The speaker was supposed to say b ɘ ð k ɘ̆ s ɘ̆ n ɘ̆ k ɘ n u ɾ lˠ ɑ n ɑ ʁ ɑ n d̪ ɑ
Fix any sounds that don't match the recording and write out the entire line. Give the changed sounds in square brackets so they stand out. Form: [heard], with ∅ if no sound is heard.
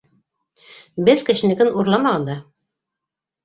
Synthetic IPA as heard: b ɘ ð k ɘ̆ [ʃ] ɘ̆ n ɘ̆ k ɘ n u ɾ lˠ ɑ [m] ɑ ʁ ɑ n d̪ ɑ